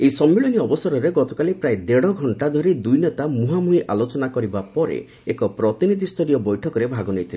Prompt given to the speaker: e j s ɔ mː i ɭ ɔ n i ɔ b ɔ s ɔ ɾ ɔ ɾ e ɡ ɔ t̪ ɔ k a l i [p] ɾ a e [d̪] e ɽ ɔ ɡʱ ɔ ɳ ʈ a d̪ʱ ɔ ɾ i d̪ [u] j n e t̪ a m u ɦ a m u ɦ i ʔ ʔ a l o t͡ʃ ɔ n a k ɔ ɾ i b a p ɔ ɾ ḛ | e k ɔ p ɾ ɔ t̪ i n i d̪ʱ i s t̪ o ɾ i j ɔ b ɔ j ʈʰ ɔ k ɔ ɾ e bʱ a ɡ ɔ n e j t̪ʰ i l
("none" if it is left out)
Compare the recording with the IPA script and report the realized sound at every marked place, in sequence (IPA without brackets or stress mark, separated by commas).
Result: p, d̪, u